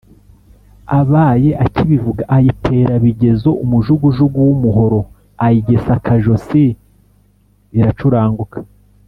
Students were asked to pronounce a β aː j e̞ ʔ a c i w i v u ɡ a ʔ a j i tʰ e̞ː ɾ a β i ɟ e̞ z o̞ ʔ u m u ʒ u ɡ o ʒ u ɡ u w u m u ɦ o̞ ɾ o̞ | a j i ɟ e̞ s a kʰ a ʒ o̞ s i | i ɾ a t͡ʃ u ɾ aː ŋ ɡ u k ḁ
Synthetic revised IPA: a β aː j e̞ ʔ a c i β i v u ɡ a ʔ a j i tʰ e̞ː ɾ a β i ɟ e̞ z o̞ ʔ u m u ʒ u ɡ u ʒ u ɡ u w u m u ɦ o̞ ɾ o̞ | a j i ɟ e̞ s a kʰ a ʒ o̞ s i | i ɾ a t͡ʃ u ɾ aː ŋ ɡ u k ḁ

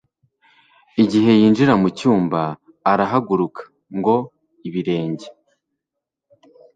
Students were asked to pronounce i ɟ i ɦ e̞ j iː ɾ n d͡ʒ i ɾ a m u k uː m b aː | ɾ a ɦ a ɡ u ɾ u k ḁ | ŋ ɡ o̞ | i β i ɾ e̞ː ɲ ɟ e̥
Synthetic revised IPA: i ɟ i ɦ e̞ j iː n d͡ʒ i ɾ a m u c uː m b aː | ɾ a ɦ a ɡ u ɾ u k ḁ | ŋ ɡ o̞ | i β i ɾ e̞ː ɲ ɟ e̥

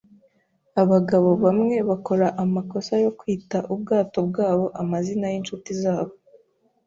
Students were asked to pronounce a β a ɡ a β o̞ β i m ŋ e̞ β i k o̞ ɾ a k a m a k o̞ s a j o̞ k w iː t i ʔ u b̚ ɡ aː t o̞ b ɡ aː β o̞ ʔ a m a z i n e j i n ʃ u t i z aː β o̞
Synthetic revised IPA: a β a ɡ a β o̞ β a m ŋ e̞ β a k o̞ ɾ a ʔ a m a k o̞ s a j o̞ k w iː t a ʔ u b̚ ɡ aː t o̞ b ɡ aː β o̞ ʔ a m a z i n a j i n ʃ u t i z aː β o̞

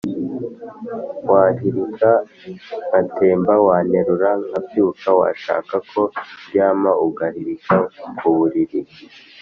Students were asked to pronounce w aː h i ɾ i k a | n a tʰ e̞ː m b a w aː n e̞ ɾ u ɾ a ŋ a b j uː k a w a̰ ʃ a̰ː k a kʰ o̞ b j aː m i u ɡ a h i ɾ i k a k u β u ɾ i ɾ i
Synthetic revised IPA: w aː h i ɾ i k a | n a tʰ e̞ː m b a w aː n e̞ ɾ u ɾ a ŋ a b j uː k a w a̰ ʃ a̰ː k a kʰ o̞ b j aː m a u ɡ a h i ɾ i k a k u β u ɾ i ɾ i

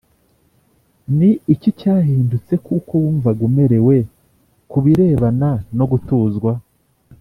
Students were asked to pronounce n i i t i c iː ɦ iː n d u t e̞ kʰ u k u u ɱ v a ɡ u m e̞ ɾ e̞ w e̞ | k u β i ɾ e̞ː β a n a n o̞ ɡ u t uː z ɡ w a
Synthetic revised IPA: n i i c i c aː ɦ iː n d u t͡s e̞ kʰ u k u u ɱ v a ɡ u m e̞ ɾ e̞ w e̞ | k u β i ɾ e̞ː β a n a n o̞ ɡ u t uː z ɡ w a

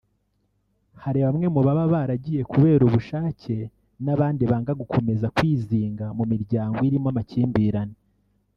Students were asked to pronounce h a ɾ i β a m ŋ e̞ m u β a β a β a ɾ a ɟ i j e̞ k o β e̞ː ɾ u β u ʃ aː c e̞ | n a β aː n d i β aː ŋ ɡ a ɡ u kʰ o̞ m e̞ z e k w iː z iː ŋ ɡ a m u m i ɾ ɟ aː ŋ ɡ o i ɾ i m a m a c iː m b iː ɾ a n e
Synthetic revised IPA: h a ɾ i β a m ŋ e̞ m u β a β a β a ɾ a ɟ i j e̞ k u β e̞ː ɾ u β u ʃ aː c e̞ | n a β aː n d i β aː ŋ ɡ a ɡ u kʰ o̞ m e̞ z a k w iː z iː ŋ ɡ a m u m i ɾ ɟ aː ŋ ɡ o i ɾ i m a m a c iː m b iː ɾ a n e

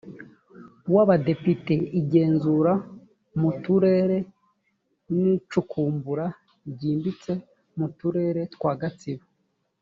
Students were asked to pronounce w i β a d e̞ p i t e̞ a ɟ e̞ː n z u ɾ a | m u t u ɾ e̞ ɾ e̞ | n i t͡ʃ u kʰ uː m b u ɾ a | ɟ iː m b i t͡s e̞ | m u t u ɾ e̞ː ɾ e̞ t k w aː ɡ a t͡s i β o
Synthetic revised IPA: w a β a d e̞ p i t e̞ i ɟ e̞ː n z u ɾ a | m u t u ɾ e̞ ɾ e̞ | n i t͡ʃ u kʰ uː m b u ɾ a | ɟ iː m b i t͡s e̞ | m u t u ɾ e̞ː ɾ e̞ t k w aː ɡ a t͡s i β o

